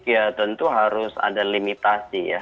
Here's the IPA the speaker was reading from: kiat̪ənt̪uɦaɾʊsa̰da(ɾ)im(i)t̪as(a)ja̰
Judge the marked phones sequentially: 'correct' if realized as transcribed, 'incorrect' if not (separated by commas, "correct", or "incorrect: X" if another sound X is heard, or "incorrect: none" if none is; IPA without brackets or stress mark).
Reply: incorrect: l, correct, incorrect: i